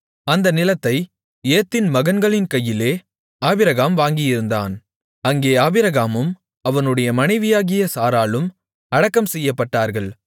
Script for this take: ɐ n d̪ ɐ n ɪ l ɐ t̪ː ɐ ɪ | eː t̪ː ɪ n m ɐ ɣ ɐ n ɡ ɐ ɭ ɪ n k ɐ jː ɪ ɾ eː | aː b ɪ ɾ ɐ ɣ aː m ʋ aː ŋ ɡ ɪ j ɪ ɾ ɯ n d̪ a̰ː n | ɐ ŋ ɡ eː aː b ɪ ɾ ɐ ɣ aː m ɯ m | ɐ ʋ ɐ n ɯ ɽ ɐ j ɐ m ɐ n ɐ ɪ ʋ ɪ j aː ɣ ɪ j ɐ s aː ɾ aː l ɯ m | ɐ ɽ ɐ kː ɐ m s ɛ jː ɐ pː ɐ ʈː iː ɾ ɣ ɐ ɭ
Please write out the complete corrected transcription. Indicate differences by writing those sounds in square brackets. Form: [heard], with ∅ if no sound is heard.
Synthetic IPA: ɐ n d̪ ɐ n ɪ l ɐ t̪ː ɐ ɪ | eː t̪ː ɪ n m ɐ ɣ ɐ n ɡ ɐ ɭ ɪ n k ɐ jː ɪ [l] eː | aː b ɪ ɾ ɐ ɣ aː m ʋ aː ŋ ɡ ɪ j ɪ ɾ ɯ n d̪ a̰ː n | ɐ ŋ ɡ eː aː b ɪ ɾ ɐ ɣ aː m ɯ m | ɐ ʋ ɐ n ɯ ɽ ɐ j ɐ m ɐ n ɐ ɪ ʋ ɪ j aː ɣ ɪ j ɐ s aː ɾ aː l ɯ m | ɐ ɽ ɐ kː ɐ m s ɛ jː ɐ pː ɐ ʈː [aː] ɾ ɣ ɐ ɭ